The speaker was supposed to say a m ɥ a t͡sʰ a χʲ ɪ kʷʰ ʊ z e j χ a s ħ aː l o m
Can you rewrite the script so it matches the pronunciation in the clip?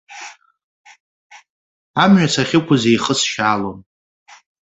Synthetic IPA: a m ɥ a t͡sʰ a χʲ ɪ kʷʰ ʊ z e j χ ə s ʃ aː l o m